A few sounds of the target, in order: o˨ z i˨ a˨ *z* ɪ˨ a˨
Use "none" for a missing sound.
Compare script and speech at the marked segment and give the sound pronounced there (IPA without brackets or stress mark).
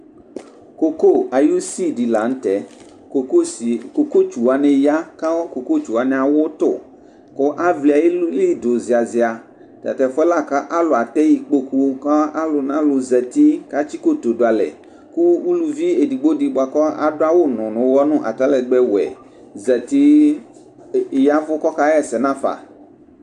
z